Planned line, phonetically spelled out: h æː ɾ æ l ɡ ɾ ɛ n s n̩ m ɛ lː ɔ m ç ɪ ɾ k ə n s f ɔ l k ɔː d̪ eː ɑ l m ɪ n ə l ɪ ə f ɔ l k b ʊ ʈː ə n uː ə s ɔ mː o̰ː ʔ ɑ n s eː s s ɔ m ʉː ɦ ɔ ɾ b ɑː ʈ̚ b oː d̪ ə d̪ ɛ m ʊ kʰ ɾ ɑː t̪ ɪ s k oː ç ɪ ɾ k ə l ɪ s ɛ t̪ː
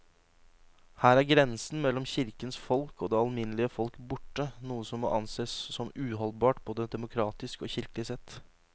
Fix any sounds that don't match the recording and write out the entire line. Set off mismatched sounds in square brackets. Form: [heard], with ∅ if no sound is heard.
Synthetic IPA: h æː ɾ æ [ɾ] ɡ ɾ ɛ n s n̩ m ɛ lː ɔ m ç ɪ ɾ k ə n s f ɔ l k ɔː d̪ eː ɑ l m ɪ n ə l ɪ ə f ɔ l k b ʊ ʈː ə n uː ə s ɔ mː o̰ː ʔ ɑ n s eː s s ɔ m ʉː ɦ ɔ [l] b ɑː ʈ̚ b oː d̪ ə d̪ ɛ m ʊ kʰ ɾ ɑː t̪ ɪ s k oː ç ɪ ɾ k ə l ɪ s ɛ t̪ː